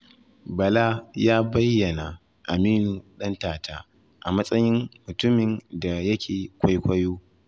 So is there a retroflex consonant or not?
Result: no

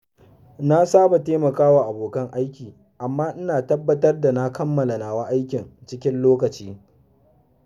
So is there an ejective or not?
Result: no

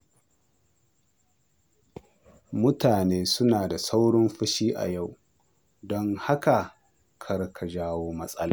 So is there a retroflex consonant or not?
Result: yes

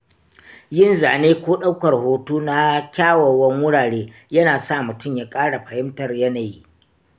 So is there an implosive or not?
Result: yes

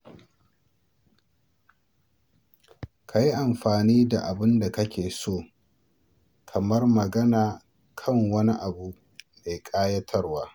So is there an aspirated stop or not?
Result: yes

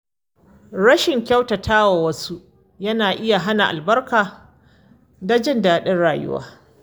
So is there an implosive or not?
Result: yes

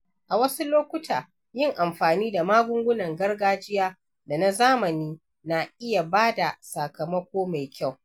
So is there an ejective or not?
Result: no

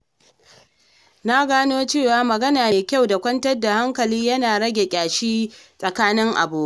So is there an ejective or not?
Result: yes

